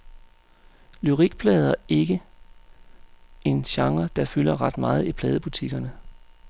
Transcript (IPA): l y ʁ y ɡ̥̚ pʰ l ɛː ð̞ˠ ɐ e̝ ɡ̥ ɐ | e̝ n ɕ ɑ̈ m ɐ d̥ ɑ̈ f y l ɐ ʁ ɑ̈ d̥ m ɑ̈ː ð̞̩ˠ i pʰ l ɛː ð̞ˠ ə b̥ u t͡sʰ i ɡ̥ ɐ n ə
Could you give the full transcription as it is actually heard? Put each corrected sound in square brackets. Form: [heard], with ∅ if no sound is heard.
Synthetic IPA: l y ʁ [i] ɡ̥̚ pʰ l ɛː ð̞ˠ ɐ e̝ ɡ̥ [ə] | e̝ n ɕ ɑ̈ [ŋ] ɐ d̥ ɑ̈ f y l ɐ ʁ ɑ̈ d̥ m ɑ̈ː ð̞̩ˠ i pʰ l ɛː ð̞ˠ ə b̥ u t͡sʰ i ɡ̥ ɐ n ə